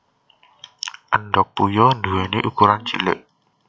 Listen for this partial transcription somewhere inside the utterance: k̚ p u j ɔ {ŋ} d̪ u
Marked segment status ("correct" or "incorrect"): incorrect